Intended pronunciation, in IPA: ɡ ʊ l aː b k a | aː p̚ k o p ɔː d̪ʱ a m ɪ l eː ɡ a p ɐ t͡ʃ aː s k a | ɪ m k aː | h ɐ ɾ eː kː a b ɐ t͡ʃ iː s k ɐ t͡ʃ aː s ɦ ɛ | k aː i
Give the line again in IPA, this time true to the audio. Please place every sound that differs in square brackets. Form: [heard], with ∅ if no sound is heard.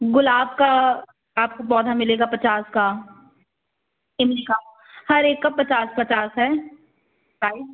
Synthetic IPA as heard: ɡ ʊ l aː b k a | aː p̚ k o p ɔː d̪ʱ a m ɪ l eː ɡ a p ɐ t͡ʃ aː s k a | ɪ m k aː | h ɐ ɾ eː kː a [p] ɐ t͡ʃ [aː] s [p] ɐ t͡ʃ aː s ɦ ɛ | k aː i